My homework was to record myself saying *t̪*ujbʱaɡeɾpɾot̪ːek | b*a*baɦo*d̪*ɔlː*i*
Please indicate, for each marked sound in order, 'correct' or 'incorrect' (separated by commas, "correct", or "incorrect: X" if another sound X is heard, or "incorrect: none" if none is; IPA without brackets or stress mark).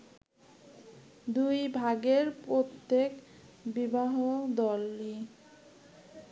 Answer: incorrect: d̪, incorrect: i, correct, correct